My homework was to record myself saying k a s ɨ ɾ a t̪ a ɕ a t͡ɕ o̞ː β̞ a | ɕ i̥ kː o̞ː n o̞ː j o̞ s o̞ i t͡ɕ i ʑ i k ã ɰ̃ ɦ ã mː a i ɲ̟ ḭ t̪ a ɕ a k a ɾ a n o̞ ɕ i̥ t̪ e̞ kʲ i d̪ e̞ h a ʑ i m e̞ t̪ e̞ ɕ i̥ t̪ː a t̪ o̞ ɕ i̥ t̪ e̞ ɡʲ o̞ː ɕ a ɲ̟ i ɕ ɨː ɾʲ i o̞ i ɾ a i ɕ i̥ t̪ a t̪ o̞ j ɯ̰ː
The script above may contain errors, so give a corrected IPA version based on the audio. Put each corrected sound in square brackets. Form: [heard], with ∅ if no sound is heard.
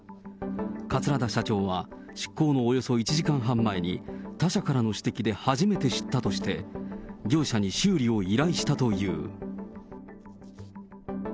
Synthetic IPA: k a [t͡s] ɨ ɾ a [d̪] a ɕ a t͡ɕ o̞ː β̞ a | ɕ i̥ kː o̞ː n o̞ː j o̞ s o̞ i t͡ɕ i ʑ i k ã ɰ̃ ɦ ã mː a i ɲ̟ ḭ t̪ a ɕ a k a ɾ a n o̞ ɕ i̥ t̪ e̞ kʲ i d̪ e̞ h a ʑ i m e̞ t̪ e̞ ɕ i̥ t̪ː a t̪ o̞ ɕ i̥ t̪ e̞ ɡʲ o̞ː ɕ a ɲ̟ i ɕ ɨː ɾʲ i o̞ i ɾ a i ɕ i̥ t̪ a t̪ o̞ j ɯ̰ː